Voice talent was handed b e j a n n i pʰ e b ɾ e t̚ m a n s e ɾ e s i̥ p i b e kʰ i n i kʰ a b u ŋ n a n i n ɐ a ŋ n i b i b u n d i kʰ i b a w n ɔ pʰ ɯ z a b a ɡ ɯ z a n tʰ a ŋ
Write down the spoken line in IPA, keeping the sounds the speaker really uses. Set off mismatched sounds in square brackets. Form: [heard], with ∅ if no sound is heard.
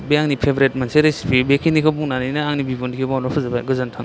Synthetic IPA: b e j a [ŋ] n i pʰ e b ɾ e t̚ m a n s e ɾ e s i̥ p i b e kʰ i n i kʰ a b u ŋ n a n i n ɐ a ŋ n i b i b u n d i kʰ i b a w n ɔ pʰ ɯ z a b a ɡ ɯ z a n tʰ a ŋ